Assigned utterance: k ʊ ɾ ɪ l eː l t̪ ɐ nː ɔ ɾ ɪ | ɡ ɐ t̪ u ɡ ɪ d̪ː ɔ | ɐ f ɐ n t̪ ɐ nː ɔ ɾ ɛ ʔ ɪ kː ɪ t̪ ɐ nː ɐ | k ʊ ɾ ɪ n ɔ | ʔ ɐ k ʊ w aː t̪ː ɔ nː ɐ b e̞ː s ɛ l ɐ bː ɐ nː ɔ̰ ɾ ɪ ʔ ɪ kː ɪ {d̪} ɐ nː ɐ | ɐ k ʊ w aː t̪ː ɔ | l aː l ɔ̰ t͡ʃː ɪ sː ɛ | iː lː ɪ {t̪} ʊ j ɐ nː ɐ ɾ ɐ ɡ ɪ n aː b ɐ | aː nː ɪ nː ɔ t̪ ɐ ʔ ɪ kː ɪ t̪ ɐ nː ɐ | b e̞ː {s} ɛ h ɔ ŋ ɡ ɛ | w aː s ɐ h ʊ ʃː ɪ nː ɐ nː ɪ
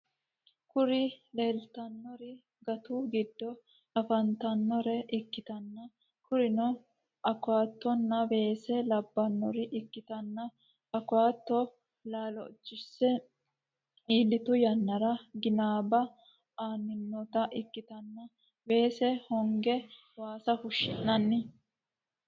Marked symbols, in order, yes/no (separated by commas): no, yes, yes